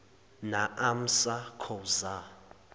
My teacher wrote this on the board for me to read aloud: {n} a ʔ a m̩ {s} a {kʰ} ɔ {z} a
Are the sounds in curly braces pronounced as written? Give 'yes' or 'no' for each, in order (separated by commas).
yes, yes, yes, yes